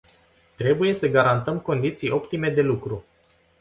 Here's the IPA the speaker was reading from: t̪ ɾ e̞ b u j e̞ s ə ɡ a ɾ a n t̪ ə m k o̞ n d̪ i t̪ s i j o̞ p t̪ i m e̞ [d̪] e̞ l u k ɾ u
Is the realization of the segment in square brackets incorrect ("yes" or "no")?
no